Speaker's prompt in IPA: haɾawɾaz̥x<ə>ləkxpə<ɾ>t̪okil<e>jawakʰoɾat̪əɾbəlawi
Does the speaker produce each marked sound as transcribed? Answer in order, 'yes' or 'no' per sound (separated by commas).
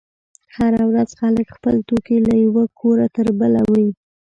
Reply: no, no, no